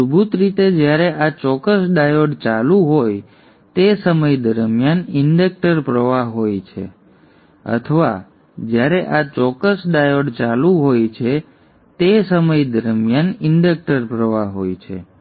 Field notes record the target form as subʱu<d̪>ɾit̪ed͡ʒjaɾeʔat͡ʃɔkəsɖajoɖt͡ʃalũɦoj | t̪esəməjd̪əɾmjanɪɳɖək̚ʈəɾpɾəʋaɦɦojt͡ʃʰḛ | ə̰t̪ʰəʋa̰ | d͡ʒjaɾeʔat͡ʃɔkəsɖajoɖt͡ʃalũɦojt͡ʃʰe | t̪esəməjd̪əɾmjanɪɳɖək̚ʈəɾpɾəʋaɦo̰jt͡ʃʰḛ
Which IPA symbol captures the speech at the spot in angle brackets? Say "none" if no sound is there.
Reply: t̪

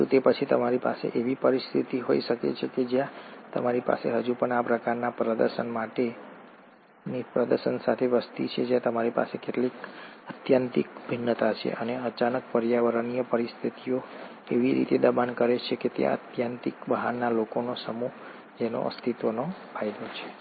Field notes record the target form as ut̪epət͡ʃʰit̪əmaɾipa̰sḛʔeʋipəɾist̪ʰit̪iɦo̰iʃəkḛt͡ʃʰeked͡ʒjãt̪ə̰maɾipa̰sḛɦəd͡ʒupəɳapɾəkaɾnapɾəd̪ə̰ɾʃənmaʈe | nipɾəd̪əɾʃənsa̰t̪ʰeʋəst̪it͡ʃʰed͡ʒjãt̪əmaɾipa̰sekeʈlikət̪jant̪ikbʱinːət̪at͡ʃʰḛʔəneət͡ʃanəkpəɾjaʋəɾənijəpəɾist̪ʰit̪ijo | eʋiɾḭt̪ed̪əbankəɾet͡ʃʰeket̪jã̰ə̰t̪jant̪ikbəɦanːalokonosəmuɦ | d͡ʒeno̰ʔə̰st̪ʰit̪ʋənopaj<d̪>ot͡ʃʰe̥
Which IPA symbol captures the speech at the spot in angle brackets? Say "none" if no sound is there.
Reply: d̪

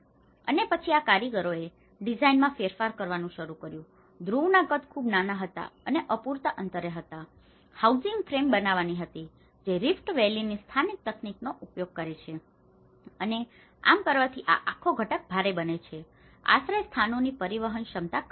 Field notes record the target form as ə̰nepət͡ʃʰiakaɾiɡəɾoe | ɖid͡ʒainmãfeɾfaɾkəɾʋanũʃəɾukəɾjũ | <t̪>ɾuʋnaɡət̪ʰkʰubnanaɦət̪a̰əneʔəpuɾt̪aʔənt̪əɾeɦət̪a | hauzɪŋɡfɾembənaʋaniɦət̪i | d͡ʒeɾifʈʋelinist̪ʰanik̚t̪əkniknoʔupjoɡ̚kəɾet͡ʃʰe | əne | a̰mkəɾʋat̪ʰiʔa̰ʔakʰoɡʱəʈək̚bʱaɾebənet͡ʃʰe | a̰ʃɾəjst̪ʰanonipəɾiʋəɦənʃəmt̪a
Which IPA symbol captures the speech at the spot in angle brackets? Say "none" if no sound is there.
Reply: d̪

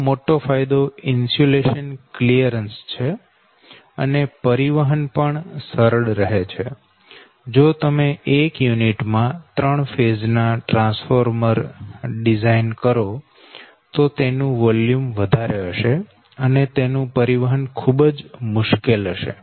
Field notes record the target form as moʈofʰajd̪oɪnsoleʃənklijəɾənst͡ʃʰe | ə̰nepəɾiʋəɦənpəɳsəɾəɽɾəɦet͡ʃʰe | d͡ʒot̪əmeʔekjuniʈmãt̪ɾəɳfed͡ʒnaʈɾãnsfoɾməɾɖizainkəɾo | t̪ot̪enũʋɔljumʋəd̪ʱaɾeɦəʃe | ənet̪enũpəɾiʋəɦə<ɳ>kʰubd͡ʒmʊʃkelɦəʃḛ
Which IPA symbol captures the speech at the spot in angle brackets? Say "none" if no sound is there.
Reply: n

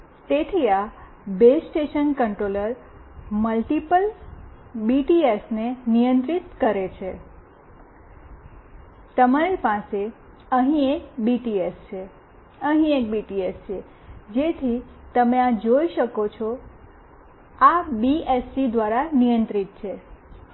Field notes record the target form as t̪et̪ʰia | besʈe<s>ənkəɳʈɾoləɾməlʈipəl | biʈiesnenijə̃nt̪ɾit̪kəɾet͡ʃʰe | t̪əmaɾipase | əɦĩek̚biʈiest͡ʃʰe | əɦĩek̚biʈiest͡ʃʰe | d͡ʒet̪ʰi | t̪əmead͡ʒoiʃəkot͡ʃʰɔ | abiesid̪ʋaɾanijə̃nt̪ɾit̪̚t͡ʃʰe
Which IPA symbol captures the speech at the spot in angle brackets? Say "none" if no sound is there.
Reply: ʃ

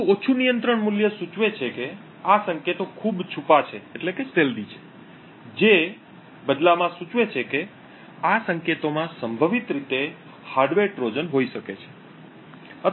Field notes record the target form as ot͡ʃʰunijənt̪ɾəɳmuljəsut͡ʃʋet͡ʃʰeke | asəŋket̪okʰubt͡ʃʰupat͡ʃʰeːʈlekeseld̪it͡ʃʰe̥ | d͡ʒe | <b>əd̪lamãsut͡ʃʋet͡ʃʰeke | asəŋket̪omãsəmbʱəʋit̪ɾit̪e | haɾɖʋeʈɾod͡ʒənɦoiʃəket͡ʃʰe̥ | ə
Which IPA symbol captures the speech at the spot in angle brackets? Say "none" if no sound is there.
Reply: b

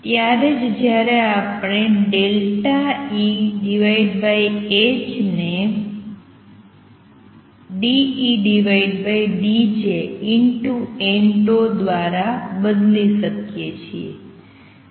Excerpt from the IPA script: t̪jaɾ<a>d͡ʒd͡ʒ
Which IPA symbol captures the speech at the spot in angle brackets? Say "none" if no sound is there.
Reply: e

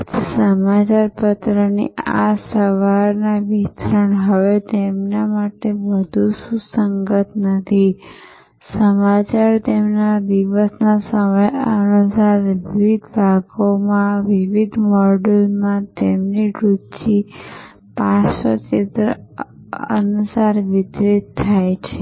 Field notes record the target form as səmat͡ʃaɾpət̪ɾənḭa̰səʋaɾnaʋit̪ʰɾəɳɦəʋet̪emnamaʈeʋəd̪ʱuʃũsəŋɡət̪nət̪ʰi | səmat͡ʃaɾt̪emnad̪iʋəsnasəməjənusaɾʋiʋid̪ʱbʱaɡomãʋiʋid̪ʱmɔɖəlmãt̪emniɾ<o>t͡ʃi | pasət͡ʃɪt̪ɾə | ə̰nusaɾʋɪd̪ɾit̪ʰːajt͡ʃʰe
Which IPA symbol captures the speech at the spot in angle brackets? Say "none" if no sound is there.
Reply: u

